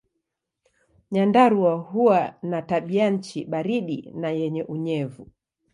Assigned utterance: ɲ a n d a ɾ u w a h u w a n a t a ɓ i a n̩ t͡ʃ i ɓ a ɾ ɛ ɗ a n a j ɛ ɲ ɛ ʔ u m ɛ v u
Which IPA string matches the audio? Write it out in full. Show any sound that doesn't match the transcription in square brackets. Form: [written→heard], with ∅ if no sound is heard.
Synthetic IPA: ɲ a n d a ɾ u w a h u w a n a t a ɓ i a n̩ t͡ʃ i ɓ a ɾ [ɛ→i] ɗ [a→i] n a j ɛ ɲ ɛ ʔ u [m→ɲ] ɛ v u